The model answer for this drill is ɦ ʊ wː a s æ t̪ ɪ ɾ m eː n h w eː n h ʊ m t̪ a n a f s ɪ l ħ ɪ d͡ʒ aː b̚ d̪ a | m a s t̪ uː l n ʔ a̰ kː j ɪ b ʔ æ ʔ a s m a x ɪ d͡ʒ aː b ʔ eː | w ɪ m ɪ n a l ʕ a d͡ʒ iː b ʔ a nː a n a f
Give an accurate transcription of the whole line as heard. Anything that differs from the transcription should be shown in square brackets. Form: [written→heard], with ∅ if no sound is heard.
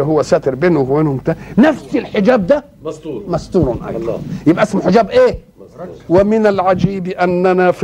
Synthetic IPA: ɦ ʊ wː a s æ t̪ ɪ ɾ [m→b] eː n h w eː n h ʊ m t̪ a n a f s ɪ l ħ ɪ d͡ʒ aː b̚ d̪ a | m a s t̪ uː [l→ɾ] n ʔ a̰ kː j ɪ b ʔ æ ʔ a s m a [x→ħ] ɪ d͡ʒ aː b ʔ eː | w ɪ m ɪ n a l ʕ a d͡ʒ iː b ʔ a nː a n a f